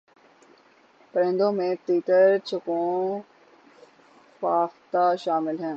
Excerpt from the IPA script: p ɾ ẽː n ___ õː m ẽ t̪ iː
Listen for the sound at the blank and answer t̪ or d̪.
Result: d̪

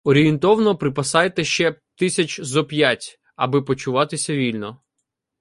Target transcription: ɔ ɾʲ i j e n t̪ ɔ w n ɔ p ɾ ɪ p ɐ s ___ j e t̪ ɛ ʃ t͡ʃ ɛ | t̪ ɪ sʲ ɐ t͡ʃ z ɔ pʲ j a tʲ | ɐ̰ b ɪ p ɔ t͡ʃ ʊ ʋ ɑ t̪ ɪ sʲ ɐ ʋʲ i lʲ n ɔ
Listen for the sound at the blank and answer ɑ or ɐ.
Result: ɑ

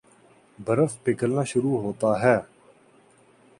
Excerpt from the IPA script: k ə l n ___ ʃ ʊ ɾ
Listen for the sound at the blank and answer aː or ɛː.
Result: aː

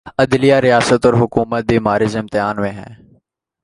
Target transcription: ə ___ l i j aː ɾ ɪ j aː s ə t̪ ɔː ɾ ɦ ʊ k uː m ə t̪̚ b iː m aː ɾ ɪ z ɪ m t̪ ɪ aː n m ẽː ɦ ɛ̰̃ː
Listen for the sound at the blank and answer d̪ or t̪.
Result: d̪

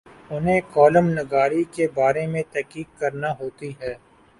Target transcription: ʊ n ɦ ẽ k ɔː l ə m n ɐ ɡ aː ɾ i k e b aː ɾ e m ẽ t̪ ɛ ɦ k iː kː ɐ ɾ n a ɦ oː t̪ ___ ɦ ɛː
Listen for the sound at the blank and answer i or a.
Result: i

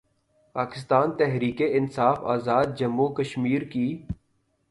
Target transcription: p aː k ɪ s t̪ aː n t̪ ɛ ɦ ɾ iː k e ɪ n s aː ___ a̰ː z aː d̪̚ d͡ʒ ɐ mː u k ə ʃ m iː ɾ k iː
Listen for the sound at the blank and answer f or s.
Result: f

